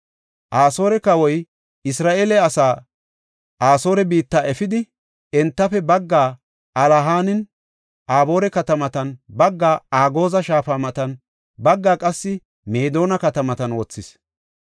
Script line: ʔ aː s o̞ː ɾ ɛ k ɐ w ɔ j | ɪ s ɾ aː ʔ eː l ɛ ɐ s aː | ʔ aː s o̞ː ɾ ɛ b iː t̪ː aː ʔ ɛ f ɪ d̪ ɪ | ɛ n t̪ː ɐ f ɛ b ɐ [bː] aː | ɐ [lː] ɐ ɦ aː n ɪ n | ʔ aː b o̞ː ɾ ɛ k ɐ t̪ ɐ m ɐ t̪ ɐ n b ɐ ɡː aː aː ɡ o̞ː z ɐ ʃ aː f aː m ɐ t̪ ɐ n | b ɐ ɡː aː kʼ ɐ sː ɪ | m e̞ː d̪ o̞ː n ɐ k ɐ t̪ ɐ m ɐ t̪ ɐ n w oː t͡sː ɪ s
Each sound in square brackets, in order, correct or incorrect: incorrect, incorrect

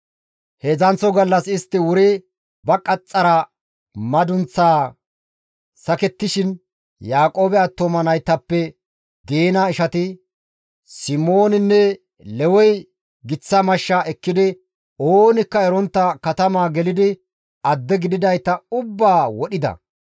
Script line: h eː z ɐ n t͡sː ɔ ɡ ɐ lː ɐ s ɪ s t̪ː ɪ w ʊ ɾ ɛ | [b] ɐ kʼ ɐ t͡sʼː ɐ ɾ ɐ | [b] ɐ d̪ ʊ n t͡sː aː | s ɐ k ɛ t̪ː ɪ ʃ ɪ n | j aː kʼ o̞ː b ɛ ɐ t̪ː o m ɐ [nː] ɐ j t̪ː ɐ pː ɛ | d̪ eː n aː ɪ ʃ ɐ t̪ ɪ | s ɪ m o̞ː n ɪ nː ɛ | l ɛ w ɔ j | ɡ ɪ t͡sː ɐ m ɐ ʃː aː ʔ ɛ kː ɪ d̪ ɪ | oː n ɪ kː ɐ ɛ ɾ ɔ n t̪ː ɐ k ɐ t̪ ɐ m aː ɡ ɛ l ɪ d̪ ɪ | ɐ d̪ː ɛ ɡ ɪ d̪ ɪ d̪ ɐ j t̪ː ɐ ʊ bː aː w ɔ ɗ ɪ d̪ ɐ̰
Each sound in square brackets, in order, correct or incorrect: correct, incorrect, incorrect

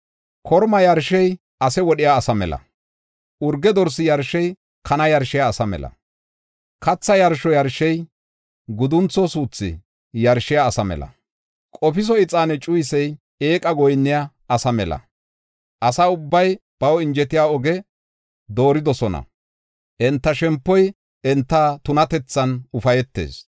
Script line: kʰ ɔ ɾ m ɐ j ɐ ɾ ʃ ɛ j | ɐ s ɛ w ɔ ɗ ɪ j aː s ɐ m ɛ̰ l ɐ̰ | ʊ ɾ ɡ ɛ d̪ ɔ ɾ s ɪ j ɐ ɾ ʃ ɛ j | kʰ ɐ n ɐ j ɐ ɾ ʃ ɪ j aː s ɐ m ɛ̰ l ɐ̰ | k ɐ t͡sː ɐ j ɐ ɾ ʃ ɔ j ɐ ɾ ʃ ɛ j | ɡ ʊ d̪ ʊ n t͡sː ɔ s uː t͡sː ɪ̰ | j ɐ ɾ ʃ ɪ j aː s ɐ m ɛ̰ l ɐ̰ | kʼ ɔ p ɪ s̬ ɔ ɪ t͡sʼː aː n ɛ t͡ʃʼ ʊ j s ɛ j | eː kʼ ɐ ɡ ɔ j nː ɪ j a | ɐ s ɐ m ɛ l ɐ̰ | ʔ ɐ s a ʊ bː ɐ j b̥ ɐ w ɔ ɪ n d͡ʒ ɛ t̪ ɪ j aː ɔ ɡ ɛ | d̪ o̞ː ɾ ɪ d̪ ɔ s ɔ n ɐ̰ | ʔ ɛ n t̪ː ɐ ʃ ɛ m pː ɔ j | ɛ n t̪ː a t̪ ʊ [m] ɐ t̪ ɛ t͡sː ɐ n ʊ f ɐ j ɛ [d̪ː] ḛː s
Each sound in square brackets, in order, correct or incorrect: incorrect, incorrect

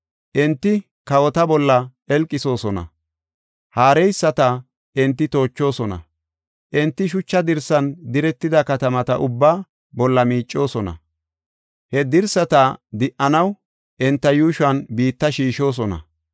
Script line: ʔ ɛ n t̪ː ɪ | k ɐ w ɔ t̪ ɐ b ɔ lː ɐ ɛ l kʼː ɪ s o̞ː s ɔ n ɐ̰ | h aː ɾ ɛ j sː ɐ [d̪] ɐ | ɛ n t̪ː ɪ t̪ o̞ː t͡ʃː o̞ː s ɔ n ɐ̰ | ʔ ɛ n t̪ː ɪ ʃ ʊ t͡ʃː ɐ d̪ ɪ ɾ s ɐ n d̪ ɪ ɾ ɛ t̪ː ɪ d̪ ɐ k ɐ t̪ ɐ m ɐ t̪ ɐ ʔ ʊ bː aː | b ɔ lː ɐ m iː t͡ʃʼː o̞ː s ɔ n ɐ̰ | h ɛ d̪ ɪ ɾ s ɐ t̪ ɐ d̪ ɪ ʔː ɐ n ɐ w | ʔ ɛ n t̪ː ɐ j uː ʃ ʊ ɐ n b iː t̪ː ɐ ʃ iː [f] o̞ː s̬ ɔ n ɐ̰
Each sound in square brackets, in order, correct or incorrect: incorrect, incorrect

